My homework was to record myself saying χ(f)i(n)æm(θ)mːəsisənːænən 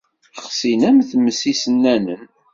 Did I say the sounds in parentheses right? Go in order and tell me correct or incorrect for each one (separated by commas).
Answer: incorrect, correct, correct